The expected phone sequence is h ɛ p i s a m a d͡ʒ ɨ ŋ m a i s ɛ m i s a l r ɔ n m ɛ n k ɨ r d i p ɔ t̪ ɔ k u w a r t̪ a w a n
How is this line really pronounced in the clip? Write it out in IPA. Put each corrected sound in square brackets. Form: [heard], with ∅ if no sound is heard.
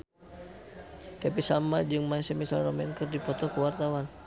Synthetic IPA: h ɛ p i s a m a d͡ʒ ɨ ŋ m a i s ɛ m i s a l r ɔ [∅] m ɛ n k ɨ r d i p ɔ t̪ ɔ k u w a r t̪ a w a n